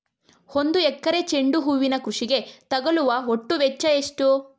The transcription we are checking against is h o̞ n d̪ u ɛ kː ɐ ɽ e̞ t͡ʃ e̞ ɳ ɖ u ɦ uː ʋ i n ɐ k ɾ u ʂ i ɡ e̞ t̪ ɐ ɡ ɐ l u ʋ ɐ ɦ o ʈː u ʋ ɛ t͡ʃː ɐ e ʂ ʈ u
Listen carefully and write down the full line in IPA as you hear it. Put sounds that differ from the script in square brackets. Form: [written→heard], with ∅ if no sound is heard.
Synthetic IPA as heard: h o̞ n d̪ u ɛ kː ɐ [ɽ→ɾ] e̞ t͡ʃ e̞ ɳ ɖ u ɦ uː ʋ i n ɐ k ɾ u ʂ i ɡ e̞ t̪ ɐ ɡ ɐ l u ʋ ɐ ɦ o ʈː u ʋ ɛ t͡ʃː ɐ e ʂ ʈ u